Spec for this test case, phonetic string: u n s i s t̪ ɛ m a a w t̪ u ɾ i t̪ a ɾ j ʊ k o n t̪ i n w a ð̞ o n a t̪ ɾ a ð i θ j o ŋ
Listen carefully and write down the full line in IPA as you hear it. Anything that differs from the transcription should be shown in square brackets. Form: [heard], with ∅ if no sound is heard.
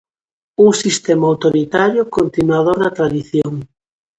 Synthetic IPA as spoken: u [ŋ] s i s t̪ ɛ m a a w t̪ [o] ɾ i t̪ a ɾ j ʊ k o n t̪ i n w a ð̞ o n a t̪ ɾ a ð i θ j o ŋ